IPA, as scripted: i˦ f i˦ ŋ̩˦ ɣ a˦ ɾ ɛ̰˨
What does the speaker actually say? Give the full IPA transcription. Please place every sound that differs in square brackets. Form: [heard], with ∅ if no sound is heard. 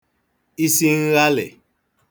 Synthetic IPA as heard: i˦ [s] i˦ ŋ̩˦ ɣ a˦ [l] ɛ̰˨